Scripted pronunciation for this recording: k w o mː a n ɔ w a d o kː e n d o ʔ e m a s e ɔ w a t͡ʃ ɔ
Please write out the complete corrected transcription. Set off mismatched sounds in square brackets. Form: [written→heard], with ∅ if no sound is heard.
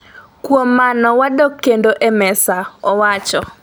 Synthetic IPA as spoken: k w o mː a n ɔ w a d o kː e n d o ʔ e m [a→ɛ] s [e→a] ɔ w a t͡ʃ ɔ